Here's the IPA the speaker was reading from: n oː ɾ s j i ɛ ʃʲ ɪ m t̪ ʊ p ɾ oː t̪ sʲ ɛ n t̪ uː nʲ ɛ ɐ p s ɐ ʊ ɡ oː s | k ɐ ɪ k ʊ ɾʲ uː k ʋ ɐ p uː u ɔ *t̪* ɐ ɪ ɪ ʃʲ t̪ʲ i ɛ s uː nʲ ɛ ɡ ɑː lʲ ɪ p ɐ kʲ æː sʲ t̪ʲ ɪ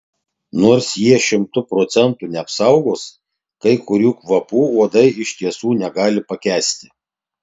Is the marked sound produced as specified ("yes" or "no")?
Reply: no